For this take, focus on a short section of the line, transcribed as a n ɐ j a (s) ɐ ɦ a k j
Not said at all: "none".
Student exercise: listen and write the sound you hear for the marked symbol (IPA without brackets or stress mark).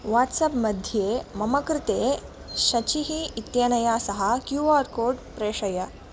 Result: s